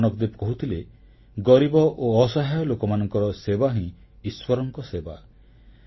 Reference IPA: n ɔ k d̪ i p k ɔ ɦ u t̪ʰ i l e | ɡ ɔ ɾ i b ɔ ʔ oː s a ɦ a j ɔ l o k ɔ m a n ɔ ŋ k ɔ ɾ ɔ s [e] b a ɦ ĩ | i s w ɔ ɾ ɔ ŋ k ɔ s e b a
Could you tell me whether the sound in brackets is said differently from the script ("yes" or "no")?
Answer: no